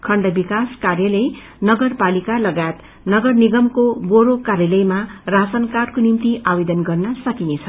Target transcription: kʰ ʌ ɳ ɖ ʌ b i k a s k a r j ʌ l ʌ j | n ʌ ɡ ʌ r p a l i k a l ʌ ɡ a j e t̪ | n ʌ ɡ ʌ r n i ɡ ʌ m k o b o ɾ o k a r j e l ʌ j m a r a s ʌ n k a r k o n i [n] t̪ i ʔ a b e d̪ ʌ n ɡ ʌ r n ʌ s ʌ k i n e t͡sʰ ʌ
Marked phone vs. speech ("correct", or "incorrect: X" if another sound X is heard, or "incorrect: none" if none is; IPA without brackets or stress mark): incorrect: m